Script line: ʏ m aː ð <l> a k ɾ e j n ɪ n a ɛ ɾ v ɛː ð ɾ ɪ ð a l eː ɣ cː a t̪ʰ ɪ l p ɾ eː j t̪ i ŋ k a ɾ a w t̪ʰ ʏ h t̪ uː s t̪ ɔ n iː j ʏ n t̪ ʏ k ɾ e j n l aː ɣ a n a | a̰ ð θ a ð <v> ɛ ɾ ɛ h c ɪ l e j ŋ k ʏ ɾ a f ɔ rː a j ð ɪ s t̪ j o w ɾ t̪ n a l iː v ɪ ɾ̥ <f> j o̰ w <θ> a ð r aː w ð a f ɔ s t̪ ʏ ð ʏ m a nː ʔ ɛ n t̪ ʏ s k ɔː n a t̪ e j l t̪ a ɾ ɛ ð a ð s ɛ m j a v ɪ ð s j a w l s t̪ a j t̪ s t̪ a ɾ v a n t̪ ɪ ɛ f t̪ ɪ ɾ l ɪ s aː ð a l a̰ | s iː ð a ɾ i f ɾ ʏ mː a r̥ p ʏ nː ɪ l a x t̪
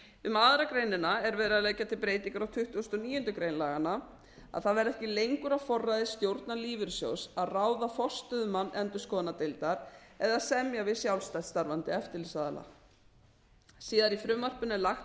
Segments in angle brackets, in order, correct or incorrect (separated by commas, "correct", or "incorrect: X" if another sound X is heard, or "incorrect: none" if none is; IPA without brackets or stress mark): incorrect: ɾ, correct, incorrect: s, incorrect: s